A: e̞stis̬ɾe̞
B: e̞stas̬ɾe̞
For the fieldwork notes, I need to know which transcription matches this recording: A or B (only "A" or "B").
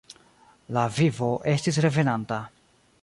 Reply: A